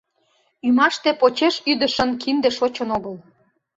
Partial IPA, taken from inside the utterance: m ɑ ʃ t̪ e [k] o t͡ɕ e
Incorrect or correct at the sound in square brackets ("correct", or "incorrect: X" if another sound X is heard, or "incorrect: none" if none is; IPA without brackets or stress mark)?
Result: incorrect: p